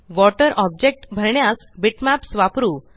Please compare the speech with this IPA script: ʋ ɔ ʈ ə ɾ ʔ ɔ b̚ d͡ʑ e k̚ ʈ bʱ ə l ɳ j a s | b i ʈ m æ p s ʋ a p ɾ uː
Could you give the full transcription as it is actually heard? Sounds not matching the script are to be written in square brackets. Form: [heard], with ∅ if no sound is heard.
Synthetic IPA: ʋ ɔ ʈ ə ɾ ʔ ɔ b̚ d͡ʑ e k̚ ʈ bʱ ə [ɾ] ɳ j a s | b i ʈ m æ p s ʋ a p ɾ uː